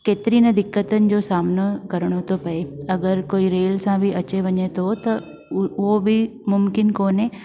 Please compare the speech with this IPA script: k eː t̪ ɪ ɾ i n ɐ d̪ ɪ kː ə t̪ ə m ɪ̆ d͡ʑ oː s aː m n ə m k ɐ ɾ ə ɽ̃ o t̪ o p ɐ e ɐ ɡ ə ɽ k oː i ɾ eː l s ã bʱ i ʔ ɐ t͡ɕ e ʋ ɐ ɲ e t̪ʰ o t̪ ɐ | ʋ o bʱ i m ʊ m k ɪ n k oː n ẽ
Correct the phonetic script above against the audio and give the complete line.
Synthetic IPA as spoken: k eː t̪ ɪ ɾ i n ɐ d̪ ɪ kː ə t̪ ə n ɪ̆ d͡ʑ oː s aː m n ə k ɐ ɾ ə ɽ̃ o t̪ o p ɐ e ɐ ɡ ə ɾ k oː i ɾ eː l s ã bʱ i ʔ ɐ t͡ɕ e ʋ ɐ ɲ e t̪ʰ o t̪ ɐ | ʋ o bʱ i m ʊ m k ɪ n k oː n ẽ